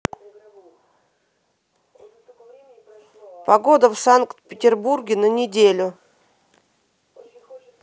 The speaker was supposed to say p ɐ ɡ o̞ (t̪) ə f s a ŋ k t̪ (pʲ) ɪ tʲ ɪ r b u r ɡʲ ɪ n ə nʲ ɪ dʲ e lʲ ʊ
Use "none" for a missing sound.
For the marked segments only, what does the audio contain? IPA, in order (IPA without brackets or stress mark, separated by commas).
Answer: d̪, pʲ